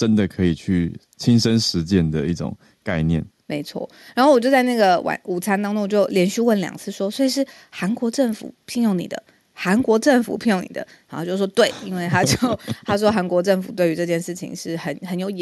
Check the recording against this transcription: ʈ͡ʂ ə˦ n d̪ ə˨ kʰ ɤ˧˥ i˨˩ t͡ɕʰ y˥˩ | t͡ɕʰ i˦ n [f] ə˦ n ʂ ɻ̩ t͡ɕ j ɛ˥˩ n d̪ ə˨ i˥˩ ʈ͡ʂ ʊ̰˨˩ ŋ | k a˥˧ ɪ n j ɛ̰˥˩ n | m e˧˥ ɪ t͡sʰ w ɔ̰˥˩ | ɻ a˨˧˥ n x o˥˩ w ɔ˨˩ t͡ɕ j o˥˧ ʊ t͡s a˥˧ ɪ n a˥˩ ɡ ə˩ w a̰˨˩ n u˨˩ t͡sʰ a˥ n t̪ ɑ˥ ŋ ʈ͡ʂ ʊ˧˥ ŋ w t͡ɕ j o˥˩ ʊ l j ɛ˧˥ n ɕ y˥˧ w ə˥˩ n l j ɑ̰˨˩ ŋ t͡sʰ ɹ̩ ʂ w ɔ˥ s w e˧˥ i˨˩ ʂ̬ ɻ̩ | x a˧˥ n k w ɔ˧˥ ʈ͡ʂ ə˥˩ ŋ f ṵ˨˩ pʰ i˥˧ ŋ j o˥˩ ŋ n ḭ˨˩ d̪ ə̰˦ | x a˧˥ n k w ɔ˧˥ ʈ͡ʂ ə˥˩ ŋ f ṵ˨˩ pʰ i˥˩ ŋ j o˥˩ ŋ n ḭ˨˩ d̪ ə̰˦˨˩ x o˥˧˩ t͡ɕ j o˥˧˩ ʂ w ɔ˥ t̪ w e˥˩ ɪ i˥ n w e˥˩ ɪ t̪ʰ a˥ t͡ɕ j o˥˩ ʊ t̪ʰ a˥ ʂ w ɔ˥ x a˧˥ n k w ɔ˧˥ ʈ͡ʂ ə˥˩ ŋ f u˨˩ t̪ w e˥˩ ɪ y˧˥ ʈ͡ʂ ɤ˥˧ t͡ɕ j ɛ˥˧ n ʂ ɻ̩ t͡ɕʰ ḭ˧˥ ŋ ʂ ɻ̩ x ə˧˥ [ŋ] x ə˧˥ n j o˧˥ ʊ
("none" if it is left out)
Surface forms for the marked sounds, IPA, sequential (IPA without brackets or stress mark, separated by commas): ʂ, n